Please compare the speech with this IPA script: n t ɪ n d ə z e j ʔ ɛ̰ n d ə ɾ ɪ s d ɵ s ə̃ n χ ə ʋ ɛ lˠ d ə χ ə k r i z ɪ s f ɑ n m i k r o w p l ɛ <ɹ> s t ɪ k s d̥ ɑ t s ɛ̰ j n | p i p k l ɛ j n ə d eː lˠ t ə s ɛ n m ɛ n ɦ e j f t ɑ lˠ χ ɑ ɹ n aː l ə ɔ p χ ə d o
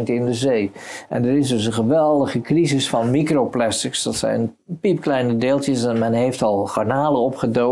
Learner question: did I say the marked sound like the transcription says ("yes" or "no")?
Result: no